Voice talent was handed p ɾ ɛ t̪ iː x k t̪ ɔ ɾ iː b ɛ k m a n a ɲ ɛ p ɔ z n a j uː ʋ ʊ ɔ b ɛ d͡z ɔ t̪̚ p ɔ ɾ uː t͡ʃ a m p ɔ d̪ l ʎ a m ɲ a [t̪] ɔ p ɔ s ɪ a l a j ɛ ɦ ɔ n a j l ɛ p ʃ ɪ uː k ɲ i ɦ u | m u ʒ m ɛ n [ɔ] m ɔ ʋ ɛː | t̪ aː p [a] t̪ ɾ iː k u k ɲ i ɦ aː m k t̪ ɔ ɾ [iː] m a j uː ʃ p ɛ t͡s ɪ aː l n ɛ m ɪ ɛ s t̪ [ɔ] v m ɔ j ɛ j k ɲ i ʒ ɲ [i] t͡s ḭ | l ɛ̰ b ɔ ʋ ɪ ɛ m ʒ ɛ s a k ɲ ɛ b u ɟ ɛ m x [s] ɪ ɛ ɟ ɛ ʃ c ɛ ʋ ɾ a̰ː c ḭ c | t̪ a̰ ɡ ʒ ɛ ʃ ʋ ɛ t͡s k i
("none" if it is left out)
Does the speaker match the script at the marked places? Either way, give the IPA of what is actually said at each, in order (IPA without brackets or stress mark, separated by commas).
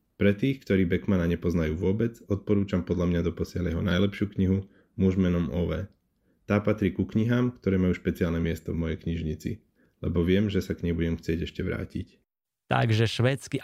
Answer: d̪, ɔ, a, ɛː, ɔ, i, t͡s